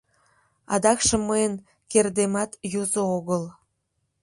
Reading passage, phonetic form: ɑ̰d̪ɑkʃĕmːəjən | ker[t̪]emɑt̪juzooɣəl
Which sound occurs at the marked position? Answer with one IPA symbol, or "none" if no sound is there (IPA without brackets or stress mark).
d̪